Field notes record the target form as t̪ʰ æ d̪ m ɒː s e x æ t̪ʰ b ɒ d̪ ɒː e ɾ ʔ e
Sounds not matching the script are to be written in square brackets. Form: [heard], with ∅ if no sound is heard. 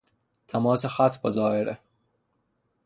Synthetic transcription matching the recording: t̪ʰ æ [∅] m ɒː s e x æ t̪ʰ b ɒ d̪ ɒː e ɾ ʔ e